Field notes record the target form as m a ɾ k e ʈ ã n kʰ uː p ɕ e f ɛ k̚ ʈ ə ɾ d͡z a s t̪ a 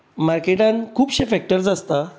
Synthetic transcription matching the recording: m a ɾ k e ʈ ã n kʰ uː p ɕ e f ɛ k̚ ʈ ə ɾ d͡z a s t̪ a